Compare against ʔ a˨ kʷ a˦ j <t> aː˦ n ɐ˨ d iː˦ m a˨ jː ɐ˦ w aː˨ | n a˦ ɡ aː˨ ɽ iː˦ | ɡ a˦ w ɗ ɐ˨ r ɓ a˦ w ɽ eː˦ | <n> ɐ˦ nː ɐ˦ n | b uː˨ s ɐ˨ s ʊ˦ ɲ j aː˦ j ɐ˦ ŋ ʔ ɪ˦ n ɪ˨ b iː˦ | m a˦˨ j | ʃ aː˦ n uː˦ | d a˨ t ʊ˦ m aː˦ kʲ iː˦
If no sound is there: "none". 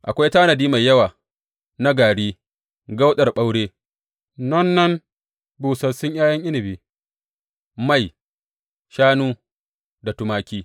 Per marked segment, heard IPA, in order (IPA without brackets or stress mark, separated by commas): t, n